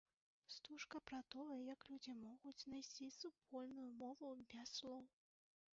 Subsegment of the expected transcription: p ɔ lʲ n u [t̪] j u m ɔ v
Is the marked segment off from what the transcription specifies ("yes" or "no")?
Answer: yes